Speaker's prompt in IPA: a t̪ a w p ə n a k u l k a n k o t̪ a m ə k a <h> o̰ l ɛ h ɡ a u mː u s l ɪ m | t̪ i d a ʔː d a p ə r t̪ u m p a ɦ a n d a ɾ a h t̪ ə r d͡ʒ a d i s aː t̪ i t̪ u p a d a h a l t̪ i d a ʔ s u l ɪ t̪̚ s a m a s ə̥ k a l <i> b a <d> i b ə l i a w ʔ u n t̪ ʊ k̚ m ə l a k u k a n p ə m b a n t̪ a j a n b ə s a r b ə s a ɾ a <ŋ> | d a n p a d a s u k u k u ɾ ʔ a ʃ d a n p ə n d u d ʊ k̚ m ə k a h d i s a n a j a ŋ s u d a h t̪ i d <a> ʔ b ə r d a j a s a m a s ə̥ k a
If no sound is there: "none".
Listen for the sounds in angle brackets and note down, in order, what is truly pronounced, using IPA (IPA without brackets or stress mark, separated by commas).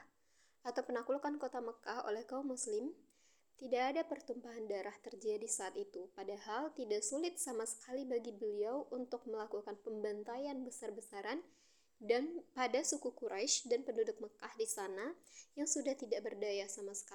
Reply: h, i, ɡ, n, a